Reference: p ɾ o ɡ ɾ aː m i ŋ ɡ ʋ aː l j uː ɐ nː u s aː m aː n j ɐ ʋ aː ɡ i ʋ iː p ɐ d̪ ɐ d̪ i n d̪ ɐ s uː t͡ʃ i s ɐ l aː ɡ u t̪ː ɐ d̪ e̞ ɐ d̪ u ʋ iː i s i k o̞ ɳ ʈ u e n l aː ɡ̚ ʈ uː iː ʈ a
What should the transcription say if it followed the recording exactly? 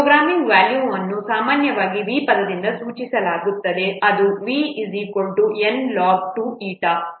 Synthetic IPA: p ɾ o ɡ ɾ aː m i ŋ ɡ ʋ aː l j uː ɐ nː u s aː m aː n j ɐ ʋ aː ɡ i ʋ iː p ɐ d̪ ɐ d̪ i n d̪ ɐ s uː t͡ʃ i s ɐ l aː ɡ u t̪ː ɐ d̪ e̞ ɐ d̪ u ʋ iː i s i k o̞ ɳ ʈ u e n l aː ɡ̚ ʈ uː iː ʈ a